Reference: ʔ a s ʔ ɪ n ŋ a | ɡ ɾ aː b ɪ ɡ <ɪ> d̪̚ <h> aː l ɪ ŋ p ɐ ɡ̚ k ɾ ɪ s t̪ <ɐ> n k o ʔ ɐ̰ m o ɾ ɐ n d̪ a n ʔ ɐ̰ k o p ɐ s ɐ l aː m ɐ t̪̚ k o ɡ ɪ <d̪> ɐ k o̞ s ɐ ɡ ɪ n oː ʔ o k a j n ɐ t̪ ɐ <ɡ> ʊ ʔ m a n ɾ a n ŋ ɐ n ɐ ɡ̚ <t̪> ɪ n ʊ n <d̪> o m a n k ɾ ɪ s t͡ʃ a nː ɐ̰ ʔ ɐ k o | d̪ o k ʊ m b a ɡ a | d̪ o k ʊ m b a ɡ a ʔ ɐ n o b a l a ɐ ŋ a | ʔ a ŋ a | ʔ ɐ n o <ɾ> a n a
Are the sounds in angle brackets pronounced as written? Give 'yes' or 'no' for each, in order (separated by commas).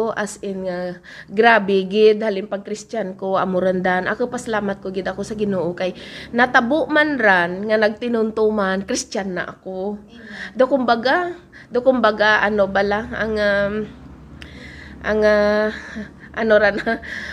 yes, yes, no, yes, no, yes, no, yes